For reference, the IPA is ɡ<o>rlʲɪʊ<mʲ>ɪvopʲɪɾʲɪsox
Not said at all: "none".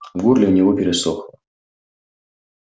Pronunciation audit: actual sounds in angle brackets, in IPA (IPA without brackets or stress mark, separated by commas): u, nʲ